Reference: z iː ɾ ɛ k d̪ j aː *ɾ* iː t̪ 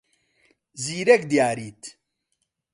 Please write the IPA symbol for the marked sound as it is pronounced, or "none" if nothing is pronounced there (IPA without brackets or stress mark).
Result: ɾ